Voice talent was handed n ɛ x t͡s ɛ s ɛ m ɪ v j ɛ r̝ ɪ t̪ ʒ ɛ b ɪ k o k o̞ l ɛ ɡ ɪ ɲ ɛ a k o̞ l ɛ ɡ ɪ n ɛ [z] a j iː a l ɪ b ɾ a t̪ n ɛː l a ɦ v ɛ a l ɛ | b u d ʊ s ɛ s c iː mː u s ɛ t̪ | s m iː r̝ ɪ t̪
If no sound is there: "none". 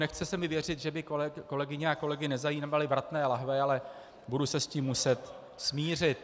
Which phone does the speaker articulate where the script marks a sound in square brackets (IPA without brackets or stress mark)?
z